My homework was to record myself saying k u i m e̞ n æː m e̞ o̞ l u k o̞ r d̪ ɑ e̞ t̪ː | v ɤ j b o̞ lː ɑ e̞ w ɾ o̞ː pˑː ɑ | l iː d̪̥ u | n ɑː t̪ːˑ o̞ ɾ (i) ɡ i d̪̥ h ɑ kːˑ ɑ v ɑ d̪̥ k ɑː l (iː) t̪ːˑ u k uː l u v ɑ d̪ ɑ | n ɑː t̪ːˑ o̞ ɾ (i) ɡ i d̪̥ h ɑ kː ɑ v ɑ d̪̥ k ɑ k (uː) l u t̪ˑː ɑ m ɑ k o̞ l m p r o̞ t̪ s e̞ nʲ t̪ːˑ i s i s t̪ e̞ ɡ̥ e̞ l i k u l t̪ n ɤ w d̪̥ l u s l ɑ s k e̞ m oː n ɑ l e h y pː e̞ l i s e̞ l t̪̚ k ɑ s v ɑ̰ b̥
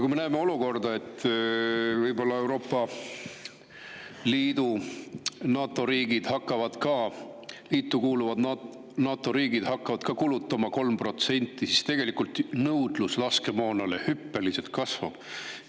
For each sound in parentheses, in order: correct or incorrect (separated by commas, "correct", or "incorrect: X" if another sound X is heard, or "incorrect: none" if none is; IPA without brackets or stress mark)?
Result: incorrect: iː, correct, incorrect: iː, incorrect: u